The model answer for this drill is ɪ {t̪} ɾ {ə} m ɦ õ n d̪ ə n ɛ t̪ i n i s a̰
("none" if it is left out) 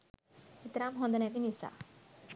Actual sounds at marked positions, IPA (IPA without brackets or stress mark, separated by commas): t̪, a